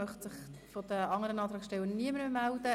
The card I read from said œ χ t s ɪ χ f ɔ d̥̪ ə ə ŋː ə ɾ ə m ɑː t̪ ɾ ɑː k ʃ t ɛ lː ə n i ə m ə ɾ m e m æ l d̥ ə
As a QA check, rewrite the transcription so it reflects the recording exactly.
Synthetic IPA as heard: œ χ t s ɪ χ f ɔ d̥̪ ə ɑ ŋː ə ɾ ə n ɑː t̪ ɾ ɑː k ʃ t ɛ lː ə n i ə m ə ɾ m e m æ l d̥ ə